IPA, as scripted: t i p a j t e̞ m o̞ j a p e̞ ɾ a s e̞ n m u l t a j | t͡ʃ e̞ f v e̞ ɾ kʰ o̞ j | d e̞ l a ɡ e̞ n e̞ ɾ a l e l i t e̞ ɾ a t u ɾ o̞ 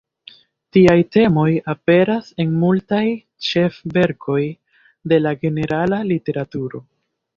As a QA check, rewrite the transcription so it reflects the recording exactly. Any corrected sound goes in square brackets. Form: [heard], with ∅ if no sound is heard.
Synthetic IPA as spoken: t i [∅] a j t e̞ m o̞ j a p e̞ ɾ a s e̞ n m u l t a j | t͡ʃ e̞ f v e̞ ɾ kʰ o̞ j | d e̞ l a ɡ e̞ n e̞ ɾ a l [a] l i t e̞ ɾ a t u ɾ o̞

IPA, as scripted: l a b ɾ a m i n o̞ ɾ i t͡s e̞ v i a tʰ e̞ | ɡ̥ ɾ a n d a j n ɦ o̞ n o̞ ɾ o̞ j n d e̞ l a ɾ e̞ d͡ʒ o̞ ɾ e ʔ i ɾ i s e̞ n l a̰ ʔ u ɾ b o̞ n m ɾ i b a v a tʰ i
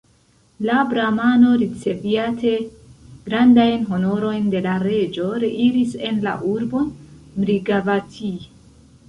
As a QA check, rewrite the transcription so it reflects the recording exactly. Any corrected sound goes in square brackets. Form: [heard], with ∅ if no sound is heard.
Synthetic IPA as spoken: l a b ɾ a m [a] n o̞ ɾ i t͡s e̞ v i a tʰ e̞ | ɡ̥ ɾ a n d a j n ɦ o̞ n o̞ ɾ o̞ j n d e̞ l a ɾ e̞ d͡ʒ o̞ ɾ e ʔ i ɾ i s e̞ n l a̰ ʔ u ɾ b o̞ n m ɾ i [ɡ] a v a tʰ i

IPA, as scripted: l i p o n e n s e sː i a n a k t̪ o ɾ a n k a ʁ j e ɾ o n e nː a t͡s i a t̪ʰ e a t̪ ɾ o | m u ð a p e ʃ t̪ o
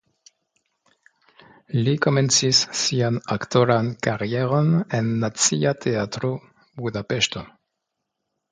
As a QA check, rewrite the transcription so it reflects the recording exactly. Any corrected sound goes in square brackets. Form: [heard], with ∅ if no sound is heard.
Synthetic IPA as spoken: l i [k] o [m] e n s [i] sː i a n a k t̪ o ɾ a n k a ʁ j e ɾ o n e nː a t͡s i a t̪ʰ e a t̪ ɾ o | [b] u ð a p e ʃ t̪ o

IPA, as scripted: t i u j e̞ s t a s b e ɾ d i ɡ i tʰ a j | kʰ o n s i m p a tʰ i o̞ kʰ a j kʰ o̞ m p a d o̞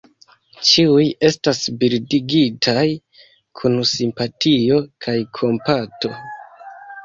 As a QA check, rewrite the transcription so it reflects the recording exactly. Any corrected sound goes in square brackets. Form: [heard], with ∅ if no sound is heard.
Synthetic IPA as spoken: [t͡ʃ] i u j e̞ s t a s b [i] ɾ d i ɡ i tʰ a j | kʰ [u] n s i m p a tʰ i o̞ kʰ a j kʰ o̞ m p a [t] o̞

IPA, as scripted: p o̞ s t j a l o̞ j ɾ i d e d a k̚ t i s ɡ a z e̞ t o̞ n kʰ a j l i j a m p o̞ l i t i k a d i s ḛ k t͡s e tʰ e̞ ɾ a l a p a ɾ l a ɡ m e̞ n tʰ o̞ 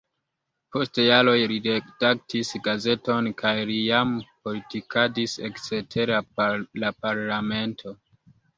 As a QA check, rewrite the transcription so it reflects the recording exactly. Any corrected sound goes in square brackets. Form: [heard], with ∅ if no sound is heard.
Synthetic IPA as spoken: p o̞ s t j a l o̞ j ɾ i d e d a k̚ t i s ɡ a z e̞ t o̞ n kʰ a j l i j a m p o̞ l i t i k a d i s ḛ k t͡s e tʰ e̞ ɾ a l a p a ɾ l a [∅] m e̞ n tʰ o̞

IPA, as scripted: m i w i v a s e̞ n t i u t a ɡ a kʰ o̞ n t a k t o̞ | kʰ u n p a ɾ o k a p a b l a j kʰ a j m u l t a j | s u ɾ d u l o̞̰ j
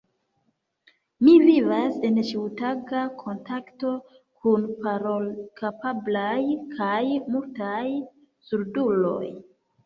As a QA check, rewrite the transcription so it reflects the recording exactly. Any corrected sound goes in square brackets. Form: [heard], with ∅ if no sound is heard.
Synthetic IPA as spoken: m i [v] i v a s e̞ n [t͡ʃ] i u t a ɡ a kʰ o̞ n t a k t o̞ | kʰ u n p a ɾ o k a p a b l a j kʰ a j m u l t a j | s u ɾ d u l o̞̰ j

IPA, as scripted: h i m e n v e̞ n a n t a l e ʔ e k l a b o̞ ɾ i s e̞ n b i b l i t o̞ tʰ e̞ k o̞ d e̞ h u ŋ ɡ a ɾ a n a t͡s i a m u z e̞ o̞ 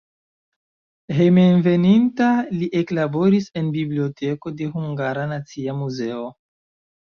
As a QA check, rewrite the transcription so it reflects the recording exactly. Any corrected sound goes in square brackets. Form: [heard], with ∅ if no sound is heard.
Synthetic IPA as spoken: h [e] m e n v e̞ n [i] n t a l [i] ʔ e k l a b o̞ ɾ i s e̞ n b i b l i [∅] o̞ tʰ e̞ k o̞ d e̞ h u ŋ ɡ a ɾ a n a t͡s i a m u z e̞ o̞

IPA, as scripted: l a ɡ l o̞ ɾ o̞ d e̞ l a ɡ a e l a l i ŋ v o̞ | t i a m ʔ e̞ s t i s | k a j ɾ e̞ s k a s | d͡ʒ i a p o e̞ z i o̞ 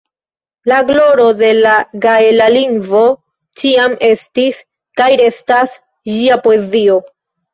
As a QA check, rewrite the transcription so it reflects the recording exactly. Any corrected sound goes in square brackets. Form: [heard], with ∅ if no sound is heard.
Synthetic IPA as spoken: l a ɡ l o̞ ɾ o̞ d e̞ l a ɡ a e l a l i ŋ v o̞ | [t͡ʃ] i a m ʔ e̞ s t i s | k a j ɾ e̞ s [t] a s | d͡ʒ i a p o e̞ z i o̞

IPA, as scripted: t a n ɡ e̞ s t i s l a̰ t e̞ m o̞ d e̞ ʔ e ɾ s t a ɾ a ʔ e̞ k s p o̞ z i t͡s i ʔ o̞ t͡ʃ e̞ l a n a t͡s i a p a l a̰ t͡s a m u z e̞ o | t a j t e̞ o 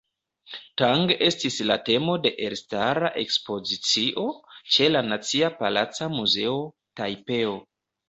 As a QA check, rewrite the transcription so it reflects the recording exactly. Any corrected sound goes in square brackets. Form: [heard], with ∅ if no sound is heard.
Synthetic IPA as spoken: t a [ŋ] ɡ e̞ s t i s l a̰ t e̞ m o̞ d e̞ ʔ e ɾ s t a ɾ a ʔ e̞ k s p o̞ z i t͡s i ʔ o̞ t͡ʃ e̞ l a n a t͡s i a p a l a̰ t͡s a m u z e̞ o | t a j [p] e̞ o

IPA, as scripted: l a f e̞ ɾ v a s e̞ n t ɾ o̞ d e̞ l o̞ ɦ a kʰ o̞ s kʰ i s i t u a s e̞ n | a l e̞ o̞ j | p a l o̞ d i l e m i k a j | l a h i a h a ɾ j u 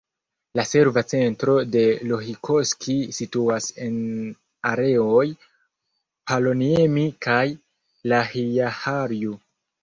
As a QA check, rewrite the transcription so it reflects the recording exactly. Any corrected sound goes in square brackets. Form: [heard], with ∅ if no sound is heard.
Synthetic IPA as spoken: l a [s] e̞ ɾ v a [t͡s] e̞ n t ɾ o̞ d e̞ l o̞ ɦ [i] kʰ o̞ s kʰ i s i t u a s e̞ n | a [ɾ] e̞ o̞ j | p a l o̞ [n] i [∅] e m i k a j | l a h i a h a ɾ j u

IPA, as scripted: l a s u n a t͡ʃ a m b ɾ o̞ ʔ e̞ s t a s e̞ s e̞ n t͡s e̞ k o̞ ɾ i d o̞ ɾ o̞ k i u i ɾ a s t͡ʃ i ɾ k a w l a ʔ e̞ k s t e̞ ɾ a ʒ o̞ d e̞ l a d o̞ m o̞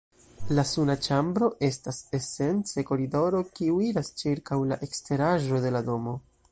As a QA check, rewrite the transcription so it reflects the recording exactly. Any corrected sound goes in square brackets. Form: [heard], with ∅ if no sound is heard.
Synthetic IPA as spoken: l a s u n a t͡ʃ a m b ɾ o̞ ʔ e̞ s t a s e̞ s e̞ n t͡s e̞ k o̞ ɾ i d o̞ ɾ o̞ k i u i ɾ a s t͡ʃ i ɾ k a w l a ʔ e̞ k s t e̞ ɾ a ʒ o̞ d e̞ l a d o̞ m o̞

